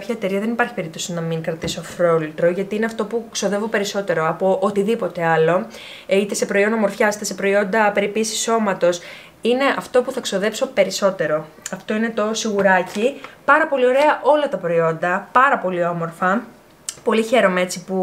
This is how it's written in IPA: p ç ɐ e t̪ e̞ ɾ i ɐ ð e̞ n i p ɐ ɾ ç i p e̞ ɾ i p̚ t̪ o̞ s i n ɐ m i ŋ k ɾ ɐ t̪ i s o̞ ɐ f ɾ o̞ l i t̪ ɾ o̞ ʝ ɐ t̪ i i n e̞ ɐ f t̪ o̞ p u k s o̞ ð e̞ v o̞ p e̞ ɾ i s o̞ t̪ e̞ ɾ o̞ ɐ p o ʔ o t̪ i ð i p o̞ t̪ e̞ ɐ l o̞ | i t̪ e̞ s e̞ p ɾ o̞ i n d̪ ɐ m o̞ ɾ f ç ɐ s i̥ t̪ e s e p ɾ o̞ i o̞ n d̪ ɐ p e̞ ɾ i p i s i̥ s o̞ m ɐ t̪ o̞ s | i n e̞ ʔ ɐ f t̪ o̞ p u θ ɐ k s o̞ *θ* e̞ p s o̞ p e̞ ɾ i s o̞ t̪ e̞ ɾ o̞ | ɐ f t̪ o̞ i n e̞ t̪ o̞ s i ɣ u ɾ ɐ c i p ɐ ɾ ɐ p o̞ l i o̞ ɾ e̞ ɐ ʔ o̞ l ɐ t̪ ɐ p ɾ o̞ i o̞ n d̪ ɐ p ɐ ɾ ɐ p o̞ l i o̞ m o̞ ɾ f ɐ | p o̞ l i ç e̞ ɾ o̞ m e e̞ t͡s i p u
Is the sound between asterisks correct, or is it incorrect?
incorrect: ð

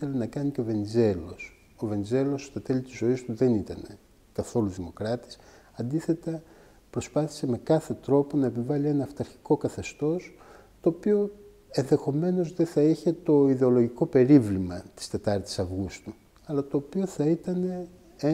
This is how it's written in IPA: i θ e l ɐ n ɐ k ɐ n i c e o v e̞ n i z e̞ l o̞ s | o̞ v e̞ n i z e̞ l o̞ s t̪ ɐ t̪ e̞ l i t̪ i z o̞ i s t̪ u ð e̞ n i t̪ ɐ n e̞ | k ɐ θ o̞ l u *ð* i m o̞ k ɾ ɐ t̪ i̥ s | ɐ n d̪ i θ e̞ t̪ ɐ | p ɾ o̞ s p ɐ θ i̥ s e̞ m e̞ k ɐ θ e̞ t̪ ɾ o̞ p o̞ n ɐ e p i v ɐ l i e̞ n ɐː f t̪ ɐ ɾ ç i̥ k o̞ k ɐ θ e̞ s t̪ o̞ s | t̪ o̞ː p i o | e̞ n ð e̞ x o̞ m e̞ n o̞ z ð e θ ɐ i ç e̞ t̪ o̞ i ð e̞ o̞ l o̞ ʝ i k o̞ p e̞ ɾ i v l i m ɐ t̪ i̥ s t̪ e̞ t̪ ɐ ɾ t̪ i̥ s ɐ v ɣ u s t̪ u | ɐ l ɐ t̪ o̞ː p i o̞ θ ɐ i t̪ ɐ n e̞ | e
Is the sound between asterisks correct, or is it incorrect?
correct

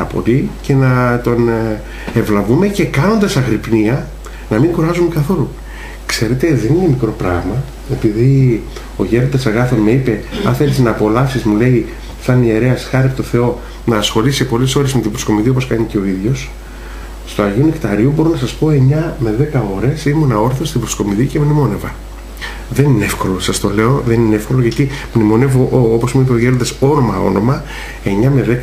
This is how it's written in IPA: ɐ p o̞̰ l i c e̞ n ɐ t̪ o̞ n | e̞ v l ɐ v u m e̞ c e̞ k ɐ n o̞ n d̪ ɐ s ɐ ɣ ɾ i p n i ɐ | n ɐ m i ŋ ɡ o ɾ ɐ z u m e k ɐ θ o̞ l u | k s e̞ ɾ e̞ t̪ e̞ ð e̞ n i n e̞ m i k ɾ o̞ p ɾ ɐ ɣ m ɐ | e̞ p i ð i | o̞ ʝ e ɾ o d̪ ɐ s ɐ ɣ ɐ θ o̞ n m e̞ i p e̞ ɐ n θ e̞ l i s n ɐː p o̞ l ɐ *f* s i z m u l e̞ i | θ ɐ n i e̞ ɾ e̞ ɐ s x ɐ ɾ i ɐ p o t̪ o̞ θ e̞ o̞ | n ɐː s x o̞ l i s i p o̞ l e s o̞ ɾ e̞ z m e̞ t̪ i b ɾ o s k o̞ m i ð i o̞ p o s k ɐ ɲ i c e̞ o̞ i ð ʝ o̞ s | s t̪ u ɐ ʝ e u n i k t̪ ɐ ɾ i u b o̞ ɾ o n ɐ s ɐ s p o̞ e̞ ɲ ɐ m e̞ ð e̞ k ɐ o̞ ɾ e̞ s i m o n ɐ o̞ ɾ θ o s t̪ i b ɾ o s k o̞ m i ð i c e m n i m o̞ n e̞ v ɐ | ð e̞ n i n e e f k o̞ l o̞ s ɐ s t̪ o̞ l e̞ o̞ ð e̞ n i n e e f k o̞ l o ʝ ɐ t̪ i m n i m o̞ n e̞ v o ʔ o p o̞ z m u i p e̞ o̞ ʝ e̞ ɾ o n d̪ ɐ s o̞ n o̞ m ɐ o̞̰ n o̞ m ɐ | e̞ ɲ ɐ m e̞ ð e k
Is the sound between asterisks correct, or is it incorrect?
correct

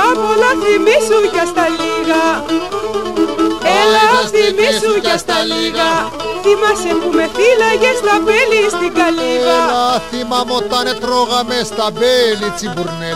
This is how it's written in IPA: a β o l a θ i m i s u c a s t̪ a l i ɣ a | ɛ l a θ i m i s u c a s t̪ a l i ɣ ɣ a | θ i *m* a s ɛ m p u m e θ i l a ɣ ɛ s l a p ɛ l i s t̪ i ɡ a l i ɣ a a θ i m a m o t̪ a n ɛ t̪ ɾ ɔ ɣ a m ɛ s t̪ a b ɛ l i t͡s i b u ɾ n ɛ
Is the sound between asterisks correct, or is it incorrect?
correct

